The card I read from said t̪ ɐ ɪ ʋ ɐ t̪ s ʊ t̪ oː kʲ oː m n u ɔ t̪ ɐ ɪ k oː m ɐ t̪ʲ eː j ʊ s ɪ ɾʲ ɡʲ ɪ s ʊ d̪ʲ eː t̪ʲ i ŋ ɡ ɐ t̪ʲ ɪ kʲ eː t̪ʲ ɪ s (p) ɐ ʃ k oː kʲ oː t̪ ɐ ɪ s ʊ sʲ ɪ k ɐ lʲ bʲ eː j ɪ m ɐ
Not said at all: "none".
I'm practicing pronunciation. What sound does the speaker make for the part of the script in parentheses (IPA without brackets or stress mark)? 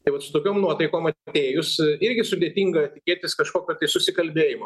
k